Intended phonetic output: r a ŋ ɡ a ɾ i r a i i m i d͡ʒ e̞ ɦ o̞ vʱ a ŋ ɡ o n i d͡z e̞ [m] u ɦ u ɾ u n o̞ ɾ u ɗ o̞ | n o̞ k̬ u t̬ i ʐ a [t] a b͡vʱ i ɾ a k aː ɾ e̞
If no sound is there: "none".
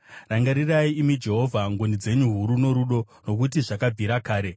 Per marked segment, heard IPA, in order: ɲ, k

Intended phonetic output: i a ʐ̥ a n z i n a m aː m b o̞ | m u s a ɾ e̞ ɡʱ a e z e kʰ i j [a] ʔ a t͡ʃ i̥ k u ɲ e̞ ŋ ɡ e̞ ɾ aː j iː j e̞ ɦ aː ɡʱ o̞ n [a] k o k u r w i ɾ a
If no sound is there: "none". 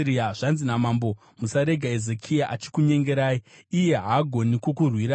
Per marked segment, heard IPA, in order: a, i

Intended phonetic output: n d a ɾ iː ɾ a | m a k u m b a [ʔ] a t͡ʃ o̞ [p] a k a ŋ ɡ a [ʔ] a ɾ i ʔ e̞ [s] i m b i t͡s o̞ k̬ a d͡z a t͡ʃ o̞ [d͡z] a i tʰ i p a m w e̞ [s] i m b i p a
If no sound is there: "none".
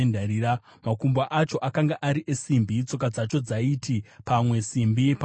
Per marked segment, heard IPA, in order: ʔ, ʔ, ʔ, s, d͡z, s

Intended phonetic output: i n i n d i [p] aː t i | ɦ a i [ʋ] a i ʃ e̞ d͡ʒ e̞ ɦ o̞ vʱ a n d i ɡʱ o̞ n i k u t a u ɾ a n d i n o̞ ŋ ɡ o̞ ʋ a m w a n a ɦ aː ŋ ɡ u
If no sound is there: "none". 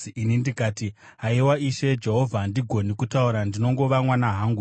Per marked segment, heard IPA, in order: k, w

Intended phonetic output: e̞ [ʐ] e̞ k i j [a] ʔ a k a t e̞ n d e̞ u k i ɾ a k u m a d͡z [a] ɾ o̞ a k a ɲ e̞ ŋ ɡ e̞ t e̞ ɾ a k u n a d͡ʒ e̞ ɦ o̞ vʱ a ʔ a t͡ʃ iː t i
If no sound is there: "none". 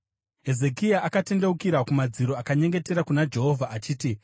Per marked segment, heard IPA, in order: z, a, i

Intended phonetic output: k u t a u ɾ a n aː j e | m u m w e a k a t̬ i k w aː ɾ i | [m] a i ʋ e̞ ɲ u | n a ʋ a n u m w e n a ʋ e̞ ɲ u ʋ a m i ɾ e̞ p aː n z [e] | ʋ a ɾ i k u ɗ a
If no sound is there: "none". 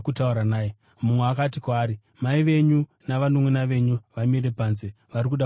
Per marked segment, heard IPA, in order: m, e

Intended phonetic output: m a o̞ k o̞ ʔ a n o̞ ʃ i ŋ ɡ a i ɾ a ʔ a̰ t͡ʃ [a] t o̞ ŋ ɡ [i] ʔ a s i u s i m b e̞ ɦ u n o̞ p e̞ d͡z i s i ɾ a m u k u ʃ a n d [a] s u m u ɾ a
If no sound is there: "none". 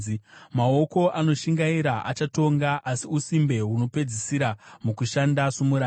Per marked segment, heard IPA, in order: a, a, a

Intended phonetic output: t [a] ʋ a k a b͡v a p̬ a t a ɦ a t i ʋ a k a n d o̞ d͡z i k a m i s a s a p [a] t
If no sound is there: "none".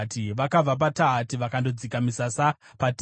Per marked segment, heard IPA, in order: i, a

